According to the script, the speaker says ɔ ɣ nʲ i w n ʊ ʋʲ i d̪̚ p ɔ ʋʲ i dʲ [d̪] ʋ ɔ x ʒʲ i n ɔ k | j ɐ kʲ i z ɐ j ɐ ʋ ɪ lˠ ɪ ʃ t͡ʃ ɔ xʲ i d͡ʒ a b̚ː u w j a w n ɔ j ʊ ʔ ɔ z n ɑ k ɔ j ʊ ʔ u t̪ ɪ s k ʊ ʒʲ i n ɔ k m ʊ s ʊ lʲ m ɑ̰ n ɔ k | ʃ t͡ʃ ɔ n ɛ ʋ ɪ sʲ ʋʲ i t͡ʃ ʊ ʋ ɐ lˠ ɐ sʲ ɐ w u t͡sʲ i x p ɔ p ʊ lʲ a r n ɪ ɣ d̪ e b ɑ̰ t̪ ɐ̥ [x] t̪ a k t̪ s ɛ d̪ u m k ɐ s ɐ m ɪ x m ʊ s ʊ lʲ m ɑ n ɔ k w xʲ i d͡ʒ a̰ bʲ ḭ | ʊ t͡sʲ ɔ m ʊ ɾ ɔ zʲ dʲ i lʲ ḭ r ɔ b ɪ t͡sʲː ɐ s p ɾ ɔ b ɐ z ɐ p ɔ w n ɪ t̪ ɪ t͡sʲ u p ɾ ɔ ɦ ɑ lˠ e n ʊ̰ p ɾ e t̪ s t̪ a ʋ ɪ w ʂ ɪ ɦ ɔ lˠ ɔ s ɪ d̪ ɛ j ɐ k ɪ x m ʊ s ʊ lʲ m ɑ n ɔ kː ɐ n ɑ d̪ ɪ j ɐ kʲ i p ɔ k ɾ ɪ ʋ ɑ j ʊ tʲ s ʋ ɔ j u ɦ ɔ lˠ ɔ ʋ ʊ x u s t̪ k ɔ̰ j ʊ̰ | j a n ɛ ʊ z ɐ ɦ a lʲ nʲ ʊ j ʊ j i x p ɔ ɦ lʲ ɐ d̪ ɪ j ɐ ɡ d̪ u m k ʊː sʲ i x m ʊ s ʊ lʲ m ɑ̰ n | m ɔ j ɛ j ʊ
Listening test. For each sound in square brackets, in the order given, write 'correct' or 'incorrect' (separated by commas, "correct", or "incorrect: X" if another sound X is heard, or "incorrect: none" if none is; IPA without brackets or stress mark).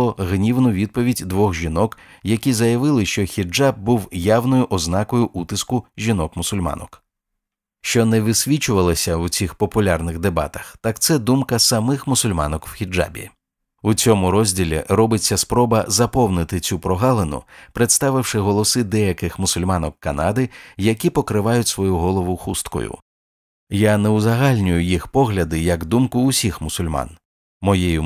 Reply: correct, correct